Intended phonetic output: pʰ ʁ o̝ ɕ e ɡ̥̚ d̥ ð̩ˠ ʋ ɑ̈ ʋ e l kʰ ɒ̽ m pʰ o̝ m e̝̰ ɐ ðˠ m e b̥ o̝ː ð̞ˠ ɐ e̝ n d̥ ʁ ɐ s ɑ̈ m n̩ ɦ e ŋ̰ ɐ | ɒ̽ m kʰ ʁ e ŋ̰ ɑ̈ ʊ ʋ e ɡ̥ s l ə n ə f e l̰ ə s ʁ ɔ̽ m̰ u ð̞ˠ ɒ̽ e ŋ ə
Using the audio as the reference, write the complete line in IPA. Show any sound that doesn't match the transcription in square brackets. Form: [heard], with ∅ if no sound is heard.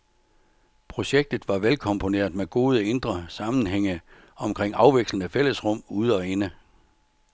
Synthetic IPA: pʰ ʁ o̝ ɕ e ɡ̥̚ d̥ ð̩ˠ ʋ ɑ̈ ʋ e l kʰ ɒ̽ m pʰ o̝ [n] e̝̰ ɐ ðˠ m e [ɡ̥] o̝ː ð̞ˠ [ə] e̝ n d̥ ʁ ɐ s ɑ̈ m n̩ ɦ e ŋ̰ [ə] | ɒ̽ m kʰ ʁ e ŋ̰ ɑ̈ ʊ ʋ e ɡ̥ s l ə n ə f e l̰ ə s ʁ ɔ̽ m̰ u ð̞ˠ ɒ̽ e [n] ə